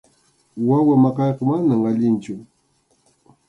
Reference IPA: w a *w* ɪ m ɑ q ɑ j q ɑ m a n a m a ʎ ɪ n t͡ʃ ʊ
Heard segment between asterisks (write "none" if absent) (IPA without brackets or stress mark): w